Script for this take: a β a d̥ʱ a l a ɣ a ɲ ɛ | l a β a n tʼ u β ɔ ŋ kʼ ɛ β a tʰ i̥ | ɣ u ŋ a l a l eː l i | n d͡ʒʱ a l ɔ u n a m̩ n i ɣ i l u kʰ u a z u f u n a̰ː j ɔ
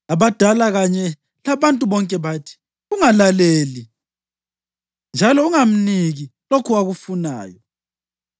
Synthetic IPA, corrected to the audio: a β a d̥ʱ a l a ɣ a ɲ ɛ | l a β a n tʼ u β ɔ ŋ kʼ ɛ β a tʰ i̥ | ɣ u ŋ a l a l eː l i | n d͡ʒʱ a l ɔ u ŋ a m̩ n i ɣ i l o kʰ u a ɣ u f u n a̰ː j ɔ